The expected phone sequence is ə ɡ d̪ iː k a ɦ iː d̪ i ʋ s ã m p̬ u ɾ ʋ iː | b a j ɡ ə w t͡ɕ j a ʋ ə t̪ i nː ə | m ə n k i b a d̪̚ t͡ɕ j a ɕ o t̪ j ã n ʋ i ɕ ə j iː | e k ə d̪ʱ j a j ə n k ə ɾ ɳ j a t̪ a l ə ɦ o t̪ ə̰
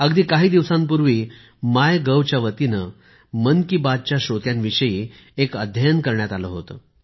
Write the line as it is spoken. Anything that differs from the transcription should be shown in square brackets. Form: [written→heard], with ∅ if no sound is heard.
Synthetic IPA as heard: ə ɡ d̪ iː k a ɦ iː d̪ i ʋ s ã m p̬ u ɾ ʋ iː | [b→m] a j ɡ ə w t͡ɕ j a ʋ ə t̪ i [nː→n] ə | m ə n k i b a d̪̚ t͡ɕ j a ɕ o t̪ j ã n ʋ i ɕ ə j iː | e k ə d̪ʱ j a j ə n k ə ɾ ɳ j a t̪ a l ə ɦ o t̪ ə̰